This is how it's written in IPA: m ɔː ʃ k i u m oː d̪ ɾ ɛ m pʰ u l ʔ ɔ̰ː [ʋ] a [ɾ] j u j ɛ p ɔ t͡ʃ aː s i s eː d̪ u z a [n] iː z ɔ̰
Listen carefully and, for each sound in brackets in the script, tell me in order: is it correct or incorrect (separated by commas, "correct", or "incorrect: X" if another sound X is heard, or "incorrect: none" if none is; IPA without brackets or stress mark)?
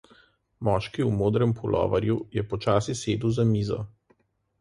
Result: correct, correct, incorrect: m